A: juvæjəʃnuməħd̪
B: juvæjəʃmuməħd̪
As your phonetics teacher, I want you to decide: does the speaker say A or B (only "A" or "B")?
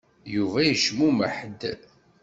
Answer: B